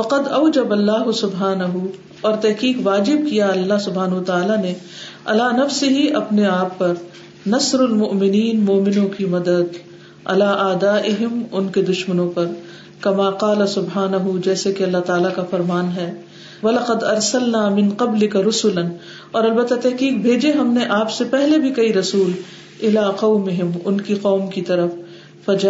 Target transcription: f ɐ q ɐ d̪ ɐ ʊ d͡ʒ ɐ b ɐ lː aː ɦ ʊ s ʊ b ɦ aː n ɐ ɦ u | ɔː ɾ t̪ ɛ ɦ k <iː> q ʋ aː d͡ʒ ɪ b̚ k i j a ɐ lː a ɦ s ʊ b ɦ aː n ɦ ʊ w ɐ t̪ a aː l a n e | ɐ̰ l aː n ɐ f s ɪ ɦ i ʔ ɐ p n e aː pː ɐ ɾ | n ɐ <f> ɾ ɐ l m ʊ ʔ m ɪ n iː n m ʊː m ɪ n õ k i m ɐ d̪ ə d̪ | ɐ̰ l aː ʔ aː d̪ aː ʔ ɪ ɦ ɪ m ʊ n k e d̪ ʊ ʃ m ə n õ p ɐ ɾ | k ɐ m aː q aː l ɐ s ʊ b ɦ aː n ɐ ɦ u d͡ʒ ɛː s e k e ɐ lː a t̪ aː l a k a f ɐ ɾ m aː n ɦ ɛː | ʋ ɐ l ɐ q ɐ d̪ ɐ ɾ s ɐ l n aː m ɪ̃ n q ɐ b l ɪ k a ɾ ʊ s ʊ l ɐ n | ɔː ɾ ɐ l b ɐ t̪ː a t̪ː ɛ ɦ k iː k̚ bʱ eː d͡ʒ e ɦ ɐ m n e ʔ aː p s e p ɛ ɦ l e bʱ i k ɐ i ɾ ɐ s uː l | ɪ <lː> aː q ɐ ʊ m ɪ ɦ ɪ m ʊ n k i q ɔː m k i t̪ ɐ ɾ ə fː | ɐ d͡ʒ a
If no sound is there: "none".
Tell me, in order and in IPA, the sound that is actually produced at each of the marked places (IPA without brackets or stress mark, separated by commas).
iː, s, l